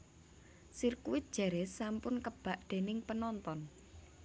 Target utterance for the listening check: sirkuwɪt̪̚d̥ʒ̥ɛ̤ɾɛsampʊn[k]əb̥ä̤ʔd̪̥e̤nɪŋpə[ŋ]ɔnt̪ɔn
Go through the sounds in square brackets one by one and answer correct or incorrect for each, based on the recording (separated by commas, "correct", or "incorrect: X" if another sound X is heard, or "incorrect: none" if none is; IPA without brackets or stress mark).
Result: correct, incorrect: n